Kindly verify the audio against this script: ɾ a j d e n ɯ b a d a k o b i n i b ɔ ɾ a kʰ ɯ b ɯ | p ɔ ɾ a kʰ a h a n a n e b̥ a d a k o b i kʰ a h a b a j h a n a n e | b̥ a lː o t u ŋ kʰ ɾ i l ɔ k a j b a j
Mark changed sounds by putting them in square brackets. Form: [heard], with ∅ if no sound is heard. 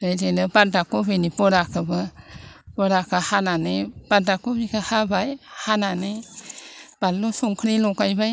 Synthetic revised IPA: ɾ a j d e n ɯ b a d a k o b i n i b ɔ ɾ a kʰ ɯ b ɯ | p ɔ ɾ a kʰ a h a n a n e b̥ a d a k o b i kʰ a h a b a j h a n a n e | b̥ a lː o [s] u ŋ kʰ ɾ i l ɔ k a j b a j